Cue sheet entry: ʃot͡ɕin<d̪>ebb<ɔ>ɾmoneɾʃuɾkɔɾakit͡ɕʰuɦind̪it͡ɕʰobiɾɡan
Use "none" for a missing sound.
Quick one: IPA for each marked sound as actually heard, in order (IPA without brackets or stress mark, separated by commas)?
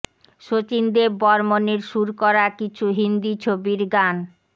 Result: d̪, ɔ